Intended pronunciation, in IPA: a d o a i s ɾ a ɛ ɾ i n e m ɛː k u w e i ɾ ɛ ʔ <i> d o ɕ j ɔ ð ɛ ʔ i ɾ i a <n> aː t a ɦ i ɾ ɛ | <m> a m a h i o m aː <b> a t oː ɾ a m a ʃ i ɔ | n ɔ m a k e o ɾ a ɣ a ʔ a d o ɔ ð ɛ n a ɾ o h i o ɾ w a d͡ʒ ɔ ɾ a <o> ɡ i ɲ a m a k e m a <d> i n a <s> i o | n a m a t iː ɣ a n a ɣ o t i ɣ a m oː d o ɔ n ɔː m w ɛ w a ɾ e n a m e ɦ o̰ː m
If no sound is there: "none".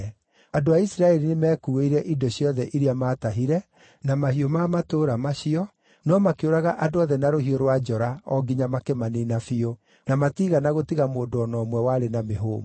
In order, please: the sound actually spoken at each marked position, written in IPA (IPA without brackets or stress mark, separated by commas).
i, m, n, m, ɔ, n, f